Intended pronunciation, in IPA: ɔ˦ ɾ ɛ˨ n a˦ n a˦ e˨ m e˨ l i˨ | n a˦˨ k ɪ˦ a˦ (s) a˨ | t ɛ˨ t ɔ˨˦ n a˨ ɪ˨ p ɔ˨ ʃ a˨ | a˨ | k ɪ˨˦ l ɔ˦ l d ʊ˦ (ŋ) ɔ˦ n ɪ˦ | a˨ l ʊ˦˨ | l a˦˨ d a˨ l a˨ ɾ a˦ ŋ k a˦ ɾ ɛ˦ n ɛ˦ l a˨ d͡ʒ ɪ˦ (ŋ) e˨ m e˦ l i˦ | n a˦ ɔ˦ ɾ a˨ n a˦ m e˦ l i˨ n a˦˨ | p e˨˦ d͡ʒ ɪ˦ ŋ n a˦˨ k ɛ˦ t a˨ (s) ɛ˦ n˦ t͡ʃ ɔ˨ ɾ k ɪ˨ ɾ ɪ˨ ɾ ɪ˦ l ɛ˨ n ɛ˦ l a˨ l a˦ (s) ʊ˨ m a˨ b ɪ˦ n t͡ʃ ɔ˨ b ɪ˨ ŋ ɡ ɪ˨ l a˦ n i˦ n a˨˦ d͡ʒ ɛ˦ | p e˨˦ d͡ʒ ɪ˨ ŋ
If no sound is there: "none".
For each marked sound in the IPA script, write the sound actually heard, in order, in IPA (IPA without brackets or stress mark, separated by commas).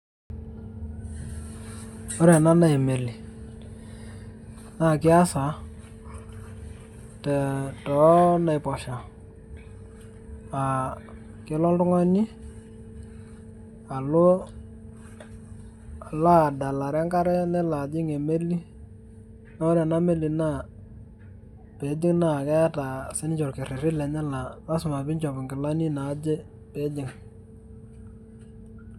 s, ŋ, ŋ, s, s